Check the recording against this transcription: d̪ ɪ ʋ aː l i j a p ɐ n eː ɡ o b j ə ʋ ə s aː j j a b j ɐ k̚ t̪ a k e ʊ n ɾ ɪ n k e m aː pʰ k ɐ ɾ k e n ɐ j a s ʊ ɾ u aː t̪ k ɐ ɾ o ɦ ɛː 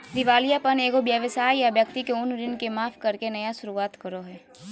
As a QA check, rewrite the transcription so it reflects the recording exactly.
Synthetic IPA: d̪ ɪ ʋ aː l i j a p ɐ n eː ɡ o b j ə ʋ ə s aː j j a b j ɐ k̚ t̪ i k e ʊ n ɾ ɪ n k e m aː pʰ k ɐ ɾ k e n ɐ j a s ʊ ɾ u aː t̪ k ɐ ɾ o ɦ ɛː